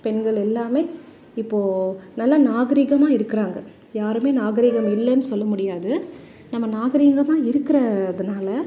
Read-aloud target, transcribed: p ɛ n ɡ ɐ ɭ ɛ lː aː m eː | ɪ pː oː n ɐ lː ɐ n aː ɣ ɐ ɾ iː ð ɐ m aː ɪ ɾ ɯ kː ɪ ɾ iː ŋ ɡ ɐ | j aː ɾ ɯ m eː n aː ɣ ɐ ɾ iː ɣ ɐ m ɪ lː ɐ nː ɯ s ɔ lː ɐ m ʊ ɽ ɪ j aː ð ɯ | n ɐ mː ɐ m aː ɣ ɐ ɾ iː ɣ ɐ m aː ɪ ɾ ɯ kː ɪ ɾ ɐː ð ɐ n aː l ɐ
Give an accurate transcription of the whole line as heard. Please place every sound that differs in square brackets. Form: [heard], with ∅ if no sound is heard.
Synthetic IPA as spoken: p ɛ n ɡ ɐ ɭ ɛ lː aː m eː | ɪ pː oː n ɐ lː ɐ n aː ɣ ɐ ɾ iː [ɣ] ɐ m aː ɪ ɾ ɯ kː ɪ ɾ [aː] ŋ ɡ ɐ | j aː ɾ ɯ m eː n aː ɣ ɐ ɾ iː ɣ ɐ m ɪ lː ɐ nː ɯ s ɔ lː ɐ m ʊ ɽ ɪ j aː ð ɯ | n ɐ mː ɐ [n] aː ɣ ɐ ɾ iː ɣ ɐ m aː ɪ ɾ ɯ kː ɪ ɾ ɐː ð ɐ n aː l ɐ